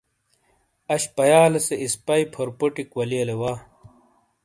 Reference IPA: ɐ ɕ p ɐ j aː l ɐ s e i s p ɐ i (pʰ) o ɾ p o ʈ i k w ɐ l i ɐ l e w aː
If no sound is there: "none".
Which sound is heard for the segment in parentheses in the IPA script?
pʰ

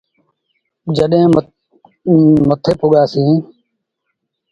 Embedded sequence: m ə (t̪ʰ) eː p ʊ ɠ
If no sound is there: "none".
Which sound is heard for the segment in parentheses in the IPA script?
t̪ʰ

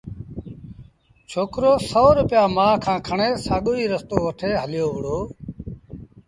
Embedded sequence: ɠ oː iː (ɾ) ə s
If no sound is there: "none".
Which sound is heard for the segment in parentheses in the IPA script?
ɾ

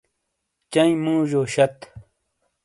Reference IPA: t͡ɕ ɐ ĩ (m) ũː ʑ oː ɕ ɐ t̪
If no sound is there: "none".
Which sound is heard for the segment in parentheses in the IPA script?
m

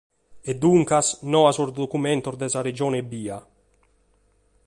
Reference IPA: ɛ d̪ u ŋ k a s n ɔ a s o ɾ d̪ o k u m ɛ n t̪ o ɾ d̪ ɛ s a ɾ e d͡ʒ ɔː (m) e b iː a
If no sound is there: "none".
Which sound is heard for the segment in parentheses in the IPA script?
n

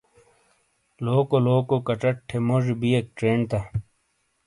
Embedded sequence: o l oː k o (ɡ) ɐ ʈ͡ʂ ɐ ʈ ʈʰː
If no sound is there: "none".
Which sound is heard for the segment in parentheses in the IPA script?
k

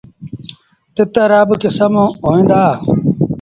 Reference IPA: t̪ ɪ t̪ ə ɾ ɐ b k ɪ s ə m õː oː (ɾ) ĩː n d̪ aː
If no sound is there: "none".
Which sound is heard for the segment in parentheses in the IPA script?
none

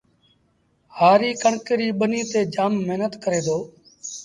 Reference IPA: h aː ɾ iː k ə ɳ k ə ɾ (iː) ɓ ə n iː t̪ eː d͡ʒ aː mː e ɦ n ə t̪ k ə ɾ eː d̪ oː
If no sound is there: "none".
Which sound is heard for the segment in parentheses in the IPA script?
iː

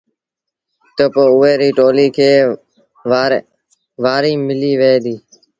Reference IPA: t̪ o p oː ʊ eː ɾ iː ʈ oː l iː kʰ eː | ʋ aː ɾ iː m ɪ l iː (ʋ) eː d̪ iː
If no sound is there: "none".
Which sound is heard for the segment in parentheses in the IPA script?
ʋ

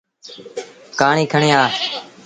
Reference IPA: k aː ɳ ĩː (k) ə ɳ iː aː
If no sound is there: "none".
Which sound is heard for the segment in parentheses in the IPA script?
kʰ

